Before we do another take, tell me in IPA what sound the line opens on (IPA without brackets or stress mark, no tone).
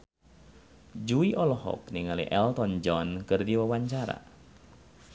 d͡ʒ